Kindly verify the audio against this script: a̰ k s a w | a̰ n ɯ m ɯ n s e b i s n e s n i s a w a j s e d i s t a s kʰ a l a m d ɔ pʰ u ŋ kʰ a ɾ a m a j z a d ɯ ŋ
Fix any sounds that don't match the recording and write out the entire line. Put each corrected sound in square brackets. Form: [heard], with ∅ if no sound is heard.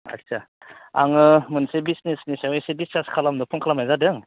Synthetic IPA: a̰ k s a [∅] | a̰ [ŋ] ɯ m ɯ n s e b i s n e s n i s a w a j s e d i s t a s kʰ a l a m d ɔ pʰ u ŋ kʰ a [l] a m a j z a d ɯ ŋ